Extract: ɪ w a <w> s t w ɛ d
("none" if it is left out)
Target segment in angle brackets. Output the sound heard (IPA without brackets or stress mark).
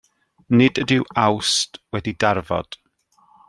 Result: w